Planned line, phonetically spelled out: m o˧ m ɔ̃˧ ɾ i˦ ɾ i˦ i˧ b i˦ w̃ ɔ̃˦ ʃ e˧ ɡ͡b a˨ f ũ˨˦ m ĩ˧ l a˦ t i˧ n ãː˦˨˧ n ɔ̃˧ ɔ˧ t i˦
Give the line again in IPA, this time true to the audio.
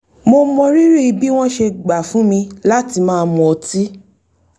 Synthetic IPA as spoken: m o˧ m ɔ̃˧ ɾ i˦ ɾ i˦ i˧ b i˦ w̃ ɔ̃˦ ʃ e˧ ɡ͡b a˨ f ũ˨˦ m ĩ˧ l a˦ t i˧ m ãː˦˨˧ m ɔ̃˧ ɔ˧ t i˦

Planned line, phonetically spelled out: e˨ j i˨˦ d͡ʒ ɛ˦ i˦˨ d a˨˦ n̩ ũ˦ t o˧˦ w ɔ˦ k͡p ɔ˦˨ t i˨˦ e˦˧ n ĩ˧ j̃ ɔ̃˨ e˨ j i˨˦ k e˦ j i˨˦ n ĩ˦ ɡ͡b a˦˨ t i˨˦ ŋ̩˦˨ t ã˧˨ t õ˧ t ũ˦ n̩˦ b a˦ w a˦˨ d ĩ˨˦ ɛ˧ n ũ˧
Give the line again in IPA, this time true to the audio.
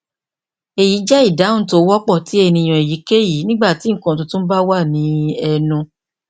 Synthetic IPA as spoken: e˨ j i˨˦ d͡ʒ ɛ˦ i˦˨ d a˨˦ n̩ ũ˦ t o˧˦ w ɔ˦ k͡p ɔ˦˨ t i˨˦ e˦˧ n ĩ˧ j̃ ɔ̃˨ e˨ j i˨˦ k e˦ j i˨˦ n ĩ˦ ɡ͡b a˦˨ t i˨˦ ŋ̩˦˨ k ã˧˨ t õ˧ t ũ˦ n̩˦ b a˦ w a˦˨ n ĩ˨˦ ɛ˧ n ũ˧

